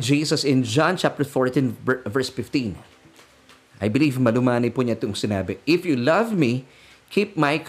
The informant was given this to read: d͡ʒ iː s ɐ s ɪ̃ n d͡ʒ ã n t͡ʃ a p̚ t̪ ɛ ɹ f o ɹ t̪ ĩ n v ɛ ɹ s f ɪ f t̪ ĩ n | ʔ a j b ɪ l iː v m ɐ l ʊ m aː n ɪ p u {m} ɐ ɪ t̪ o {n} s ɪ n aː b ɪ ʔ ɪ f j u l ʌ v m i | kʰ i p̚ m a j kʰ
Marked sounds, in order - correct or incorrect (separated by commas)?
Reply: incorrect, incorrect